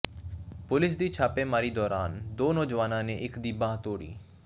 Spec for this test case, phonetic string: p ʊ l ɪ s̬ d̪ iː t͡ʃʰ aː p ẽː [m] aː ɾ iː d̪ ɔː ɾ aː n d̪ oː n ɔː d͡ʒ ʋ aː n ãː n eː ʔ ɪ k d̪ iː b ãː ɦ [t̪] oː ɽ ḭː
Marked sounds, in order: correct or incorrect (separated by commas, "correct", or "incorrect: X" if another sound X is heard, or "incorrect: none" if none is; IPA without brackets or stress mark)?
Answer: correct, correct